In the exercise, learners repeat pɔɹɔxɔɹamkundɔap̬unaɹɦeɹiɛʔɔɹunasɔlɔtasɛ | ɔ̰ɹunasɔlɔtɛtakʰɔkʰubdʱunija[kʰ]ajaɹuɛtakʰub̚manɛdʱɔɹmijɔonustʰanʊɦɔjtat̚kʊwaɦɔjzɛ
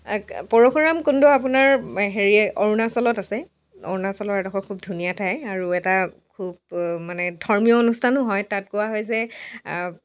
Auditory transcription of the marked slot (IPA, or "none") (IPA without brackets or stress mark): tʰ